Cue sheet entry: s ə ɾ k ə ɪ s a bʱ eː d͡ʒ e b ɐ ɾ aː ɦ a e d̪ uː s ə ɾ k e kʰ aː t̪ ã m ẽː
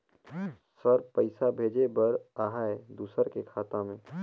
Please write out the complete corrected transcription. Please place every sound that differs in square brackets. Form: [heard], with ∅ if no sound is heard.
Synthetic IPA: s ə ɾ [p] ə ɪ s a bʱ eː d͡ʒ e b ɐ ɾ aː ɦ a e d̪ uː s ə ɾ k e kʰ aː t̪ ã m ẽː